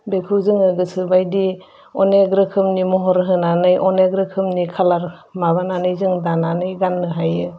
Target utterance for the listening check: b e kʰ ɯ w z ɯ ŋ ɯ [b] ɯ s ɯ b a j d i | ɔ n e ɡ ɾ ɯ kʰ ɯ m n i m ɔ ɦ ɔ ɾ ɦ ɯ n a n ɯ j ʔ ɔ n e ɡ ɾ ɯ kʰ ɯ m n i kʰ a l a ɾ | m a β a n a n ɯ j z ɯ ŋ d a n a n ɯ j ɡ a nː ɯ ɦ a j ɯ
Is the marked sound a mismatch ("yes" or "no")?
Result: yes